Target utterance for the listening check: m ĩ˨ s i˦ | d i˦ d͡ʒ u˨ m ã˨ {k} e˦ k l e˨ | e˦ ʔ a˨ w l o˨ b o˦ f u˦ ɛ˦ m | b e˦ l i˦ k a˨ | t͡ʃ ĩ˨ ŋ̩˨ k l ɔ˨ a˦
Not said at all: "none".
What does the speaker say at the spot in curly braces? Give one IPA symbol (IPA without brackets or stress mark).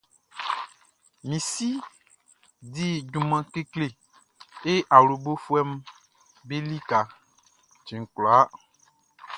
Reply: k